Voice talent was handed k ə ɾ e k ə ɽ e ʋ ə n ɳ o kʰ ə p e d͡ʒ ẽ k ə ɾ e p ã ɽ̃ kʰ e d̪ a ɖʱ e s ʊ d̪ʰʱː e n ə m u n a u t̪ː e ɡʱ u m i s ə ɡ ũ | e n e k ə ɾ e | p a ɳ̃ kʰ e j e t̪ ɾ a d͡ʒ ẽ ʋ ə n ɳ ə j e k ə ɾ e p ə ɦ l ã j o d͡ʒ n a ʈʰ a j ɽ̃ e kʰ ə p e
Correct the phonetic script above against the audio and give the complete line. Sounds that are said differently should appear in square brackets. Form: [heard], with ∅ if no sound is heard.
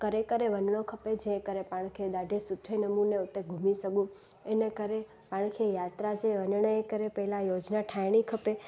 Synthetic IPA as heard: k ə ɾ e k ə [ɾ] e ʋ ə n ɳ o kʰ ə p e d͡ʒ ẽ k ə ɾ e p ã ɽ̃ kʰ e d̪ a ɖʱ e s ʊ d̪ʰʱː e n ə m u n [e] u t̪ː e ɡʱ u m i s ə ɡ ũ | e n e k ə ɾ e | p a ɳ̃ kʰ e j [a] t̪ ɾ a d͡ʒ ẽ ʋ ə n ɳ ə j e k ə ɾ e p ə ɦ l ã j o d͡ʒ n a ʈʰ a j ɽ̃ [i] kʰ ə p e